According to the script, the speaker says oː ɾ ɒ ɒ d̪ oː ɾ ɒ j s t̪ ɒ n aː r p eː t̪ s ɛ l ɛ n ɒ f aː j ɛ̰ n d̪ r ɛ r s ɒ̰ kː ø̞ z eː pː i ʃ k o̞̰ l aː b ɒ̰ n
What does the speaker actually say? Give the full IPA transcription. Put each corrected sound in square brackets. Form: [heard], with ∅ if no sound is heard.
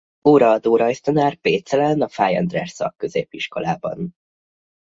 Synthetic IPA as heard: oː ɾ ɒ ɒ d̪ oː ɾ ɒ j s t̪ ɒ n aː r p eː t̪ s ɛ l ɛ n ɒ f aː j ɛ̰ n d̪ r ɛ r s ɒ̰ kː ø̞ z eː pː i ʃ k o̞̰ l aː b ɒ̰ n